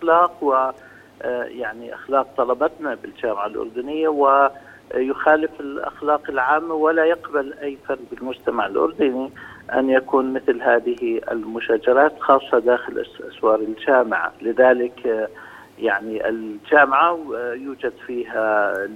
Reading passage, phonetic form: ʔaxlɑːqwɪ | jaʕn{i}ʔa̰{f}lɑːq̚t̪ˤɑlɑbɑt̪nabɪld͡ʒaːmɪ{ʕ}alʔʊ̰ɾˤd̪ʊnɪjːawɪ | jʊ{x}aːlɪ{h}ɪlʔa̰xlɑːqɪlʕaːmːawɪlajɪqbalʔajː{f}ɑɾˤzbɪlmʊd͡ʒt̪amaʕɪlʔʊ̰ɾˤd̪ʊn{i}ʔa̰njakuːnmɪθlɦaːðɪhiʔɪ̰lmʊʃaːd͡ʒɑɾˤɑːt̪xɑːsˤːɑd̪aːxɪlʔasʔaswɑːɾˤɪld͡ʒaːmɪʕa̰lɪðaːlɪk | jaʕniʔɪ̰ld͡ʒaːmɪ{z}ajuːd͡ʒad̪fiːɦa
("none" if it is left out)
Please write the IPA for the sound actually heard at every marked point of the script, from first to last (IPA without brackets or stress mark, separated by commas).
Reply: i, x, ʕ, x, f, f, i, ʕ